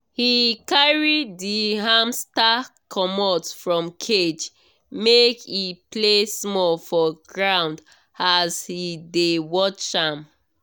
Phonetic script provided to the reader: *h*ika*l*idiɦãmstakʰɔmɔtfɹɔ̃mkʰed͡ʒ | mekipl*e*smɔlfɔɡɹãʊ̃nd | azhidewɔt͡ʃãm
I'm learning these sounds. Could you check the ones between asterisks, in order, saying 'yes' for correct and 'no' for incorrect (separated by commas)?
yes, no, yes